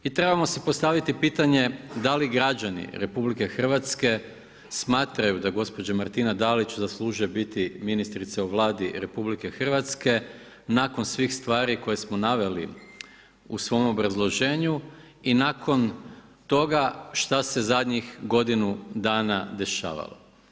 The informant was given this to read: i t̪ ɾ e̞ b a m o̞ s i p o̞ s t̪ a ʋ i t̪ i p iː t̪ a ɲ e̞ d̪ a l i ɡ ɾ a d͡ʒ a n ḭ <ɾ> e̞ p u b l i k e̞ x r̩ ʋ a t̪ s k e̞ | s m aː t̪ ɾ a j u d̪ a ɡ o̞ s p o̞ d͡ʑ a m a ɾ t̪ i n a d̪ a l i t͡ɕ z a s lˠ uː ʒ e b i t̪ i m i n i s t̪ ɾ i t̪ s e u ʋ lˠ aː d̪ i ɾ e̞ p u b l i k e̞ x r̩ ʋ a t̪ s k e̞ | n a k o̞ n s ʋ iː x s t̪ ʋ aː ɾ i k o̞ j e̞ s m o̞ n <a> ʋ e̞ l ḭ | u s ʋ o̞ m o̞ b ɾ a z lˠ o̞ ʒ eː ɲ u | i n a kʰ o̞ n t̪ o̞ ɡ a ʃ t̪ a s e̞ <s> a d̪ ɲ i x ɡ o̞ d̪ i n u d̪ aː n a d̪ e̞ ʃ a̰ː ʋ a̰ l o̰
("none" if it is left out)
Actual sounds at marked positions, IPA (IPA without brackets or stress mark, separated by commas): ɾ, a, z